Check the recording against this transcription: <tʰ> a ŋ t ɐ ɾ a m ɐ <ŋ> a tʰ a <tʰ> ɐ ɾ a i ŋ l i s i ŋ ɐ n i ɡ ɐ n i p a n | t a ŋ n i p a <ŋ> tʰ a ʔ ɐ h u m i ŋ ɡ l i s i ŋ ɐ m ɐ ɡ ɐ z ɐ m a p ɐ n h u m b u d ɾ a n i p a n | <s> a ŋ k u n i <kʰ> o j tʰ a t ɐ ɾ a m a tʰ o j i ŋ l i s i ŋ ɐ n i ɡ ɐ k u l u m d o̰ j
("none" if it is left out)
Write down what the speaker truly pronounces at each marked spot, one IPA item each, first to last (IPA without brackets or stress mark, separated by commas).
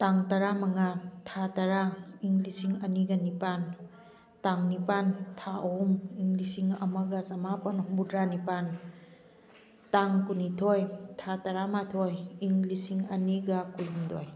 t, ŋ, t, n, t, tʰ